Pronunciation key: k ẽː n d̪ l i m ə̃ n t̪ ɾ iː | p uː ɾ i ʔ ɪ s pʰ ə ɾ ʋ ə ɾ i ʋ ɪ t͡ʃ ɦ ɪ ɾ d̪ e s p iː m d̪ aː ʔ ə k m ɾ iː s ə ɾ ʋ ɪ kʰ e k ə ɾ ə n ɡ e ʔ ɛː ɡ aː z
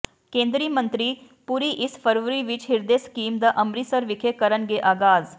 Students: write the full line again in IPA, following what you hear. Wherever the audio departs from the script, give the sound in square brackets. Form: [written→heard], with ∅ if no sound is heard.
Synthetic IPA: k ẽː n d̪ [l→ɾ] i m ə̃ n t̪ ɾ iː | p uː ɾ i ʔ ɪ s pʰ ə ɾ ʋ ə ɾ i ʋ ɪ t͡ʃ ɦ ɪ ɾ d̪ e s [p→k] iː m d̪ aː ʔ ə [k→∅] m ɾ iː s ə ɾ ʋ ɪ kʰ e k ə ɾ ə n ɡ e ʔ [ɛː→aː] ɡ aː z